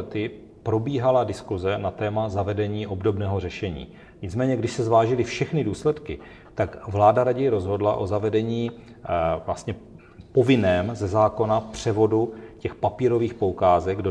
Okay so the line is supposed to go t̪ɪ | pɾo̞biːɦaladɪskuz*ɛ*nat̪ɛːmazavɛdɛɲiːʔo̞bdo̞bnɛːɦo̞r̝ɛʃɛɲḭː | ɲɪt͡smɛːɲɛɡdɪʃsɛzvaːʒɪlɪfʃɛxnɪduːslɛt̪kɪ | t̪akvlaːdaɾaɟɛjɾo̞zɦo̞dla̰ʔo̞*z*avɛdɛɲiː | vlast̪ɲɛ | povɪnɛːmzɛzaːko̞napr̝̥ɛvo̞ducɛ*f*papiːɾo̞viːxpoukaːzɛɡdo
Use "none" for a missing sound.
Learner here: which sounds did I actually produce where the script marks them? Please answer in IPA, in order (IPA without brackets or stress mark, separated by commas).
ɛ, z, x